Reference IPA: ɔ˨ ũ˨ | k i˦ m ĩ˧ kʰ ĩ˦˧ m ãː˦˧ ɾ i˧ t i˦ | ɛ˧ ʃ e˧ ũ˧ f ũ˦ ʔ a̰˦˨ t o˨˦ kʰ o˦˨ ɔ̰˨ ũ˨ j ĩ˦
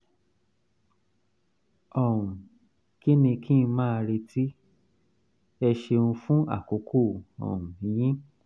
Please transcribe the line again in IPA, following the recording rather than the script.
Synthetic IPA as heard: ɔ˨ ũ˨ | k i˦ n ĩ˧ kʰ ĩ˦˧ m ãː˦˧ ɾ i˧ t i˦ | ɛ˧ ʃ e˧ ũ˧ f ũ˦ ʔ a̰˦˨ k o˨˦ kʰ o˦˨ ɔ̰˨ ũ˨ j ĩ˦